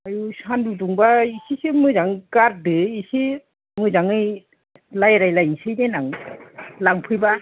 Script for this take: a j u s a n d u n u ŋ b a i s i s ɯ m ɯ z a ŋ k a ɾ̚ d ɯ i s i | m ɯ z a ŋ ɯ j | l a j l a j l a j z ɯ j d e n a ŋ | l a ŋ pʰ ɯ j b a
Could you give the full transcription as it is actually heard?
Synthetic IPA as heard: a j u s a n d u d u ŋ b a i s i s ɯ m ɯ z a ŋ k a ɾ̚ d ɯ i s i | m ɯ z a ŋ ɯ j | l a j ɾ a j l a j s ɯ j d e n a ŋ | l a ŋ pʰ ɯ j b a